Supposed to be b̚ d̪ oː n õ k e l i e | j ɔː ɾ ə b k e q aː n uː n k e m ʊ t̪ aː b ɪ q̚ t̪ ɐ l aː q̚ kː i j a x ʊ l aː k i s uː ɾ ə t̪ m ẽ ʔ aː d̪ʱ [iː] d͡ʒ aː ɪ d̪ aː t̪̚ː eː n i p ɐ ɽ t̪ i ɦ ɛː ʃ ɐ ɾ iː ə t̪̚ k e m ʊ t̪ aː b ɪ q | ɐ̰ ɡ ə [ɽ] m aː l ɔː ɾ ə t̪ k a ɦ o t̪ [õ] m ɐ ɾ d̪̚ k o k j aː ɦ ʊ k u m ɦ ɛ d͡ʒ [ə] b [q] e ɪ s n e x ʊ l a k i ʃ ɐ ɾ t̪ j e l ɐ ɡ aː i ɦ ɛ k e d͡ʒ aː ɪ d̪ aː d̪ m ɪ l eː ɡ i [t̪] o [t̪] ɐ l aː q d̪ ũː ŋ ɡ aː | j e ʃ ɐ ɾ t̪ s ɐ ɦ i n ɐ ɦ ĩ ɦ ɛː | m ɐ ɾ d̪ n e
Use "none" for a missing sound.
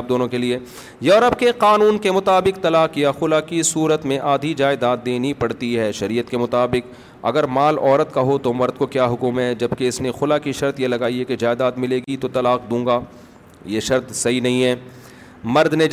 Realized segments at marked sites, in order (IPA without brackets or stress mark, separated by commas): i, ɾ, o, ɐ, k, t̪, t̪